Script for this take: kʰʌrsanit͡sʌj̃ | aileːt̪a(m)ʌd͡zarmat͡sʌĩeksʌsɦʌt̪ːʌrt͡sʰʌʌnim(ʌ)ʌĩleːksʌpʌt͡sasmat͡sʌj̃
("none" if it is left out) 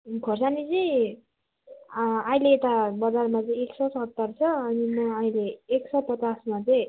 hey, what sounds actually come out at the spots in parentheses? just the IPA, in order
b, ʌ

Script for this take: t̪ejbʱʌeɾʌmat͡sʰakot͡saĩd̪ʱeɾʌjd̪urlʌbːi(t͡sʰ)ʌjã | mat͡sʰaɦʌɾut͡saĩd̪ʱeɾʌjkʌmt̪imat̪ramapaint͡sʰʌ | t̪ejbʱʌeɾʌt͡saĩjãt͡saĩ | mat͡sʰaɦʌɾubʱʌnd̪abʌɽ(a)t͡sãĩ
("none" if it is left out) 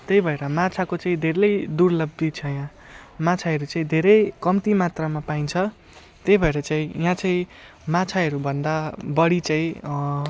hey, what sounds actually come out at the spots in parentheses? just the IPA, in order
t͡sʰ, i

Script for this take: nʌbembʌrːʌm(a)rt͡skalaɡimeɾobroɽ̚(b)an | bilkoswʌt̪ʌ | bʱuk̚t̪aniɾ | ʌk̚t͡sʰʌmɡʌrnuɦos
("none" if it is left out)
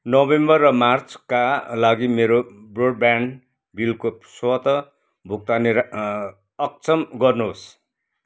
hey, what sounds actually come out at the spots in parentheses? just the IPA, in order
a, b

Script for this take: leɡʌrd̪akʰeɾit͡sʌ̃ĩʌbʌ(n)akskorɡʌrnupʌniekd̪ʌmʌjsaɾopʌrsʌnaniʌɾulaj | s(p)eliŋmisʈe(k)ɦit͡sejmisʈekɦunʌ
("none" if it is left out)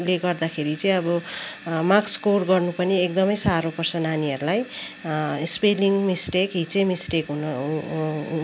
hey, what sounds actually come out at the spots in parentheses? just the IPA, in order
m, p, k

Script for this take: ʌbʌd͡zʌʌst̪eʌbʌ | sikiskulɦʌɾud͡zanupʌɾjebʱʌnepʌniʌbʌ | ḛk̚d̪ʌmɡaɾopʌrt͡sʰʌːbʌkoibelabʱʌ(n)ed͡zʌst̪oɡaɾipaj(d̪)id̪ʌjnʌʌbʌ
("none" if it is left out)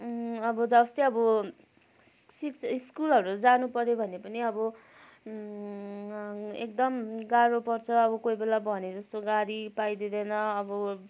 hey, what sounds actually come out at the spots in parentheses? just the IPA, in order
n, d̪

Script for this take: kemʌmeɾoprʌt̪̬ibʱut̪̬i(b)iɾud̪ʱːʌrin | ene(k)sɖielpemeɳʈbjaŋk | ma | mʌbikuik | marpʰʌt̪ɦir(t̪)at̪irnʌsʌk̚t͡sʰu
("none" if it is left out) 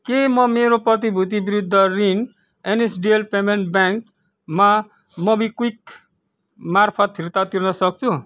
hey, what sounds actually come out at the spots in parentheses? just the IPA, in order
b, none, t̪

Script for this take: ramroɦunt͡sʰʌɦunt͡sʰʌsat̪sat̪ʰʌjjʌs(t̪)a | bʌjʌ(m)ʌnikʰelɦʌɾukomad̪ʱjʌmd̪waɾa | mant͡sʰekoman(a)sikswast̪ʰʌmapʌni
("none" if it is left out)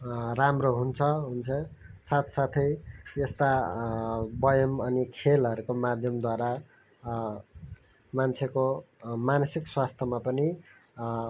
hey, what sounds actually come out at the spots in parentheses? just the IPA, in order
t̪, m, ʌ

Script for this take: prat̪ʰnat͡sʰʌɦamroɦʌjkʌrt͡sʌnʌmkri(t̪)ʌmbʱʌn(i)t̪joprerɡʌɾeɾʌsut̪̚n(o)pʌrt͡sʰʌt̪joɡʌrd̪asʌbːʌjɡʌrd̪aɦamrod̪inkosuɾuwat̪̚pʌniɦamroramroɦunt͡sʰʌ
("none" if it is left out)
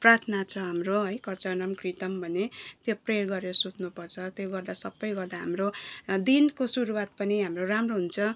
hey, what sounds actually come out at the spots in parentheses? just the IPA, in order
t̪, e, u

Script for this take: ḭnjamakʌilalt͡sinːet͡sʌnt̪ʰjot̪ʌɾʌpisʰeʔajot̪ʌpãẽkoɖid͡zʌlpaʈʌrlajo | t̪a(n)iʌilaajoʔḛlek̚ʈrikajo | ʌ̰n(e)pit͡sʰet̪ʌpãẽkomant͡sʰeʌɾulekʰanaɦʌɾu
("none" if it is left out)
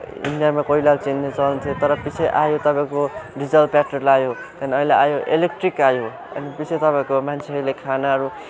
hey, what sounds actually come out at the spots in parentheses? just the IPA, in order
n, i

